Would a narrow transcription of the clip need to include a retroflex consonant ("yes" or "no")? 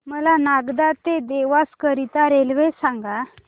no